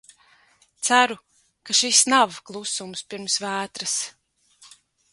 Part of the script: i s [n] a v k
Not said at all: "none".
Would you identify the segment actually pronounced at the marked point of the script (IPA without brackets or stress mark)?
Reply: n